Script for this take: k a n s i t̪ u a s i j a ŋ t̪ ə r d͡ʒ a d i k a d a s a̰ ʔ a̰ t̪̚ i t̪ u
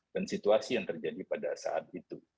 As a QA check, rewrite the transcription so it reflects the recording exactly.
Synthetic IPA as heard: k a n s i t̪ u a s i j a ŋ t̪ ə r d͡ʒ a d i p a d a s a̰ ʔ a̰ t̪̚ i t̪ u